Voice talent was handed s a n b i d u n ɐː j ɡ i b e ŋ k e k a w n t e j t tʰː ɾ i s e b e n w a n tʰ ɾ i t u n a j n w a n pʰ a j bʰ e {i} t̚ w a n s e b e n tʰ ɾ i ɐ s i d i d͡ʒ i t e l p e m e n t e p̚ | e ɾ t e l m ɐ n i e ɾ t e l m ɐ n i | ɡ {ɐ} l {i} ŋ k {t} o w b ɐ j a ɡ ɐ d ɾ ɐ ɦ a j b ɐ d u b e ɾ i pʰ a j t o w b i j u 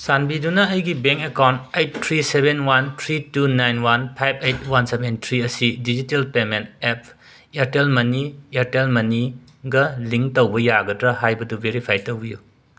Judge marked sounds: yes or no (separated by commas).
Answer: no, yes, yes, yes